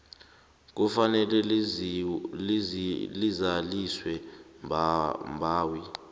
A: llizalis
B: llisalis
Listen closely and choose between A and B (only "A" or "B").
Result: A